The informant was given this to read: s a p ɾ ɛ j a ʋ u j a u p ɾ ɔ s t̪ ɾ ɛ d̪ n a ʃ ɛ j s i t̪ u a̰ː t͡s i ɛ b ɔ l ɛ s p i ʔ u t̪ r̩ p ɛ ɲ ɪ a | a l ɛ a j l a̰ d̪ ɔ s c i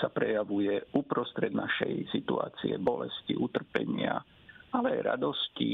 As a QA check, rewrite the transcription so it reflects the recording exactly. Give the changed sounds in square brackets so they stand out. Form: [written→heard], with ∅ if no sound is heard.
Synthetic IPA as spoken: s a p ɾ ɛ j a ʋ u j [a→ɛ] u p ɾ ɔ s t̪ ɾ ɛ d̪ n a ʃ ɛ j s i t̪ u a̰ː t͡s i ɛ b ɔ l ɛ s [p→c] i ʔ u t̪ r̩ p ɛ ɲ ɪ a | a l ɛ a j [l→ɾ] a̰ d̪ ɔ s c i